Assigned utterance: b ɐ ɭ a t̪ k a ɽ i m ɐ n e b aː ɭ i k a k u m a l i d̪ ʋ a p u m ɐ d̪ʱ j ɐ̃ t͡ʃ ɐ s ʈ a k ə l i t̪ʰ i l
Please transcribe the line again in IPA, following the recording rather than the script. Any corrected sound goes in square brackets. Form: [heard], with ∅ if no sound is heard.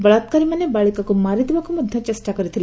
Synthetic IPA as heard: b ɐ ɭ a t̪ k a [ɾ] i m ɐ n e b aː ɭ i k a k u m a [ɾ] i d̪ ʋ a [k] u m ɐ d̪ʱ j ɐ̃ t͡ʃ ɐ s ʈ a k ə [ɾ] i t̪ʰ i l

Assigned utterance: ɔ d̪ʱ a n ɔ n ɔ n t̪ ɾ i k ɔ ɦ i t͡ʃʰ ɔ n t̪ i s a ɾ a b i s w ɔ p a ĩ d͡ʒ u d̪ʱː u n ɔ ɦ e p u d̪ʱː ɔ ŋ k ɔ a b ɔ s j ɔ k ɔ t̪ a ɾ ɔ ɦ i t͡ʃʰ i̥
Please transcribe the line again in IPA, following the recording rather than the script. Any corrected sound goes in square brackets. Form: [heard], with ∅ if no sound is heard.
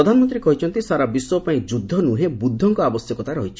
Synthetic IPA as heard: ɔ d̪ʱ a n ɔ [m] ɔ n t̪ ɾ i k ɔ ɦ i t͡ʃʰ ɔ n t̪ i s a ɾ a b i s w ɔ p a ĩ d͡ʒ u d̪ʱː [ɔ] n [u] ɦ e [b] u d̪ʱː ɔ ŋ k ɔ a b ɔ s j ɔ k ɔ t̪ a ɾ ɔ ɦ i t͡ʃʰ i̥

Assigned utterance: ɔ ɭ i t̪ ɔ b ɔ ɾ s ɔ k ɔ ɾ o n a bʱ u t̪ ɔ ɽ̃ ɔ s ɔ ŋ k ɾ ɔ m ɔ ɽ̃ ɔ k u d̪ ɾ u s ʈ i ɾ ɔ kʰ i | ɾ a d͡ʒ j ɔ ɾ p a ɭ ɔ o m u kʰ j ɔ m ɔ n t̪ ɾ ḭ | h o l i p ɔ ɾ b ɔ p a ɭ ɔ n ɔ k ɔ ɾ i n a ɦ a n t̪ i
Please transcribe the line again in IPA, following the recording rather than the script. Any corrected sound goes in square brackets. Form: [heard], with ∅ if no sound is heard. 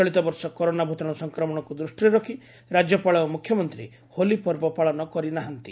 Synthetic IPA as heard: ɔ ɭ i t̪ ɔ b ɔ ɾ s ɔ k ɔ ɾ o n a bʱ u t̪ ɔ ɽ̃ ɔ s ɔ ŋ k ɾ ɔ m ɔ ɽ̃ ɔ k u d̪ ɾ u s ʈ i ɾ ɔ kʰ i | ɾ a d͡ʒ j ɔ [∅] p a ɭ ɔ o m u kʰ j ɔ m ɔ n t̪ ɾ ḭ | h o l i p ɔ ɾ b ɔ p a ɭ ɔ n ɔ k ɔ ɾ i n a ɦ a n t̪ i

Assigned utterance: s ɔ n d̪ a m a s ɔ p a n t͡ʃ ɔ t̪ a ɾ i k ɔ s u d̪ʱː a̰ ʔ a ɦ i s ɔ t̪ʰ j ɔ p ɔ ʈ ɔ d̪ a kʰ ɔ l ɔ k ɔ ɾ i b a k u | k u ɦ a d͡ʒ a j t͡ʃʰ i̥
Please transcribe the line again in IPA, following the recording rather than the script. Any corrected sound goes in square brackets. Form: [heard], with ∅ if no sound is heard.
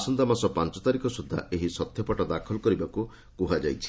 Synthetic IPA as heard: s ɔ n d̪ a m a s ɔ p a n t͡ʃ ɔ t̪ a ɾ i k ɔ s u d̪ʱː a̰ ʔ [e] ɦ i s ɔ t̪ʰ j ɔ p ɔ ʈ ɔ d̪ a kʰ ɔ l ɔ k ɔ ɾ i b a k u | k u ɦ a d͡ʒ a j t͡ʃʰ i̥

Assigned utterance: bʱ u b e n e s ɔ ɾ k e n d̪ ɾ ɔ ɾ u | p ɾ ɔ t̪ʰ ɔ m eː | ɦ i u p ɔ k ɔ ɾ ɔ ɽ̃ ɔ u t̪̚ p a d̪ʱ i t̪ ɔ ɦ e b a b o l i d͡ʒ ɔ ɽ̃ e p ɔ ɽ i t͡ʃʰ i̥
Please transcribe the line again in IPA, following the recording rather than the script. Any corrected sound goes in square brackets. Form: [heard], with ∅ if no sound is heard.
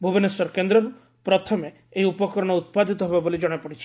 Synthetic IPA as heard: bʱ u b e n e s ɔ ɾ k e n d̪ ɾ ɔ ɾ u | p ɾ ɔ t̪ʰ ɔ m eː | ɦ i u p ɔ k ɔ ɾ ɔ ɽ̃ ɔ u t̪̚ p a d̪ʱ i t̪ ɔ ɦ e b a b o l i d͡ʒ ɔ ɽ̃ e p ɔ ɽ i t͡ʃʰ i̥

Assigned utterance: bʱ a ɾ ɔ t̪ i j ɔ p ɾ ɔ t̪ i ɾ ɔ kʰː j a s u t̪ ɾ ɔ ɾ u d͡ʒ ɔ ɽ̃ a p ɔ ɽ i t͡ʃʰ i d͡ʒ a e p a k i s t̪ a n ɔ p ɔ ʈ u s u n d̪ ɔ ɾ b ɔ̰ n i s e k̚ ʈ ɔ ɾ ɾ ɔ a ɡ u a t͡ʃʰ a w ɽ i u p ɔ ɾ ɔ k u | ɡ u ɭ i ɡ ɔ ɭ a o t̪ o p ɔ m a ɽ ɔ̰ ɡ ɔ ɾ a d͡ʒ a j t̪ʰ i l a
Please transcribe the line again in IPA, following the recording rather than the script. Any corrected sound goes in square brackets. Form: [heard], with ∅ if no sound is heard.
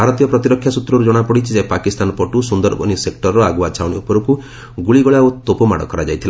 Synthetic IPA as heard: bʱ a ɾ ɔ t̪ i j ɔ p ɾ ɔ t̪ i ɾ ɔ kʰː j a s u t̪ ɾ ɔ ɾ u d͡ʒ ɔ ɽ̃ a p ɔ ɽ i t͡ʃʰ i d͡ʒ a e p a k i s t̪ a n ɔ p ɔ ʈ u s u n d̪ ɔ ɾ b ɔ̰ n i s e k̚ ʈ ɔ ɾ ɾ ɔ a ɡ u a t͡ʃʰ a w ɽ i u p ɔ ɾ ɔ k u | ɡ u ɭ i ɡ ɔ ɭ a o t̪ o p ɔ m a ɽ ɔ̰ [k] ɔ ɾ a d͡ʒ a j t̪ʰ i l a

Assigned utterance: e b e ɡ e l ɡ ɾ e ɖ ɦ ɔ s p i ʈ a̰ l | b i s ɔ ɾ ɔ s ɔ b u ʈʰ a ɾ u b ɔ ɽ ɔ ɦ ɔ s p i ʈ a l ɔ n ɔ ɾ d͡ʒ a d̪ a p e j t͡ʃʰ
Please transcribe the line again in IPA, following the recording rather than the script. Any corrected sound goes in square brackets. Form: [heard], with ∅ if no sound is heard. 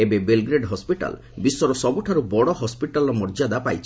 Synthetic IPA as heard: e b e [b] e l ɡ ɾ e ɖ ɦ ɔ s p i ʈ a̰ l | b i s ɔ ɾ ɔ s ɔ b u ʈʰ a ɾ u b ɔ ɽ ɔ ɦ ɔ s p i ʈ a l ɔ [m] ɔ ɾ d͡ʒ a d̪ a p [a] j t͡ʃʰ

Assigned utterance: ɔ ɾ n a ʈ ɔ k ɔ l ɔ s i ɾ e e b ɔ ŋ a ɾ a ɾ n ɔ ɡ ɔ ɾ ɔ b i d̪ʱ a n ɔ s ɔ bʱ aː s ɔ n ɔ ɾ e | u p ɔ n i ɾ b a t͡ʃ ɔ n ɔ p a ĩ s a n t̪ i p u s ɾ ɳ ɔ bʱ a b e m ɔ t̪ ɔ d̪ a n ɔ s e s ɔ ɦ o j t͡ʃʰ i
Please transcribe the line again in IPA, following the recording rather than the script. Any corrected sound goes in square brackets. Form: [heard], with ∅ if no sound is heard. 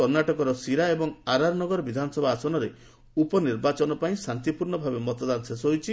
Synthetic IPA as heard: ɔ ɾ n a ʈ ɔ k ɔ [ɾ] ɔ s i ɾ [a] e b ɔ ŋ a ɾ a ɾ n ɔ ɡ ɔ ɾ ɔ b i d̪ʱ a n ɔ s ɔ bʱ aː s ɔ n ɔ ɾ e | u p ɔ n i ɾ b a t͡ʃ ɔ n ɔ p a ĩ s a n t̪ i p u [∅] ɾ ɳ ɔ bʱ a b e m ɔ t̪ ɔ d̪ a n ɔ s e s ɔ ɦ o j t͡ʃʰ i

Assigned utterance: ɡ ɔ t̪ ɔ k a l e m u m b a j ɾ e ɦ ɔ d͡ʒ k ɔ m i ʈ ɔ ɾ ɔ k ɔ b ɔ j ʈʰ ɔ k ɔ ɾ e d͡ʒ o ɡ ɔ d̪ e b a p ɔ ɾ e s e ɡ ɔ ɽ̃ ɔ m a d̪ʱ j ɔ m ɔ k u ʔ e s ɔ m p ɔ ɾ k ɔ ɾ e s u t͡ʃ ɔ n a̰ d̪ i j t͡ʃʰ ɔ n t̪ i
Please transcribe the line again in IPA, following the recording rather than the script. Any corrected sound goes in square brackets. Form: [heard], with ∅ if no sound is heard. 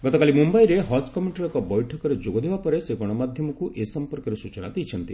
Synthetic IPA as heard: ɡ ɔ t̪ ɔ k a l [i] m u m b a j ɾ e ɦ ɔ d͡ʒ k ɔ m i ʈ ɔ ɾ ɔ k ɔ b ɔ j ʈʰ ɔ k ɔ ɾ e d͡ʒ o ɡ ɔ d̪ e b a p ɔ ɾ e s e ɡ ɔ ɽ̃ ɔ m a d̪ʱ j ɔ m ɔ k u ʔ e s ɔ m p ɔ ɾ k ɔ ɾ e s u t͡ʃ ɔ n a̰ d̪ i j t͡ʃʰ ɔ n t̪ i

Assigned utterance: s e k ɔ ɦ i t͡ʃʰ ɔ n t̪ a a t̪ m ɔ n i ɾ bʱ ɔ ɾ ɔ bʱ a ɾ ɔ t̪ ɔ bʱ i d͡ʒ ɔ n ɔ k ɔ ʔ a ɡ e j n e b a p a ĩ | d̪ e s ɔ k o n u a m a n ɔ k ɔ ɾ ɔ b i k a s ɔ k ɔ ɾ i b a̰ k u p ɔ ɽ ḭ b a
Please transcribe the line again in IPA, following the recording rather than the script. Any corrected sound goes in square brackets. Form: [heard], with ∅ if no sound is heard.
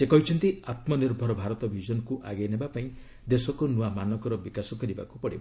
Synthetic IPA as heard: s e k ɔ ɦ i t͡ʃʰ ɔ n t̪ [i] a t̪ m ɔ n i ɾ bʱ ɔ ɾ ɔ bʱ a ɾ ɔ t̪ ɔ bʱ i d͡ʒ ɔ n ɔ k [u] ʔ a ɡ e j n e b a p a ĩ | d̪ e s ɔ k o n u a m a n ɔ k ɔ ɾ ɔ b i k a s ɔ k ɔ ɾ i b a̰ k u p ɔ ɽ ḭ b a

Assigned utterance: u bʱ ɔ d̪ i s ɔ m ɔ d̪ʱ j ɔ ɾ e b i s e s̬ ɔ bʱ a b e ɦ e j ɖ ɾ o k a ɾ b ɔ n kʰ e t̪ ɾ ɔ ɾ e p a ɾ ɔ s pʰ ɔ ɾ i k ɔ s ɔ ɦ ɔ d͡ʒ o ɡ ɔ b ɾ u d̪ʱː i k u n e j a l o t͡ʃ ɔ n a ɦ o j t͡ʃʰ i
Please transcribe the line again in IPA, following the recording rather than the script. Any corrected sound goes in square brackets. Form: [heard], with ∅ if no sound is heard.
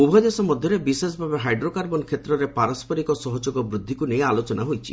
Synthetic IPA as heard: u bʱ ɔ d̪ [e] s ɔ m ɔ d̪ʱ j ɔ ɾ e b i s e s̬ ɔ bʱ a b e ɦ [a] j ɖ ɾ o k a ɾ b ɔ n kʰ e t̪ ɾ ɔ ɾ e p a ɾ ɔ s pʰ ɔ ɾ i k ɔ s ɔ ɦ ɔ d͡ʒ o ɡ ɔ b ɾ u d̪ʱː i k u n e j a l o t͡ʃ ɔ n a ɦ o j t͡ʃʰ i

